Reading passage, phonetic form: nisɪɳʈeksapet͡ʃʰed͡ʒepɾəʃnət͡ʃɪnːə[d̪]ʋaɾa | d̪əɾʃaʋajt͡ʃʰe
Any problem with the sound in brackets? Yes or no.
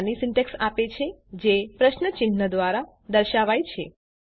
no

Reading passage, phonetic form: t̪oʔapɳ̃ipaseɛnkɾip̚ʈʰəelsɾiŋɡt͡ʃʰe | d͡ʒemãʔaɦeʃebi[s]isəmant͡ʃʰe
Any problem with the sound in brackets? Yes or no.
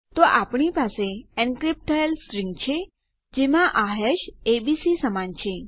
no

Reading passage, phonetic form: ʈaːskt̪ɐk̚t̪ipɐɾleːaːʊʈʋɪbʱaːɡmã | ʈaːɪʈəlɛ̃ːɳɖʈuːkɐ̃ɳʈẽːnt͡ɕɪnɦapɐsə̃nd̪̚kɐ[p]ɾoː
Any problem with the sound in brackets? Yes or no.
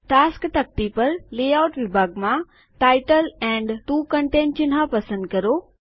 yes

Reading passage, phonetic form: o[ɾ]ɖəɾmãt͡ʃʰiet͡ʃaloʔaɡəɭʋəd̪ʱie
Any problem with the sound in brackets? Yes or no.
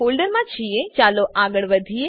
yes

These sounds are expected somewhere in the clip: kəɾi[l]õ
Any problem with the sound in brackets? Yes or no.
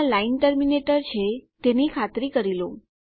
no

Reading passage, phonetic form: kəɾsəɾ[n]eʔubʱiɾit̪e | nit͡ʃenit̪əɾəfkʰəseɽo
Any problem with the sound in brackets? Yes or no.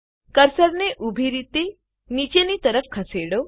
no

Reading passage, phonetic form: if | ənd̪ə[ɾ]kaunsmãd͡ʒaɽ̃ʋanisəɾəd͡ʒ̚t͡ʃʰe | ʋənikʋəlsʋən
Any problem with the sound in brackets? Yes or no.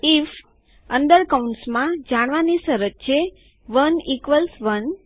no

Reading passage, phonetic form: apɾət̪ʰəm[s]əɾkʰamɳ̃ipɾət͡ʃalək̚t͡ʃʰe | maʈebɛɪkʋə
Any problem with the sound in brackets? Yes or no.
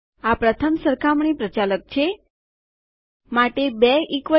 no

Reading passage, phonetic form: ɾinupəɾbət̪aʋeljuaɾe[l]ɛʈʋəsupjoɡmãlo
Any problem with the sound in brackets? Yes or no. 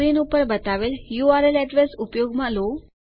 no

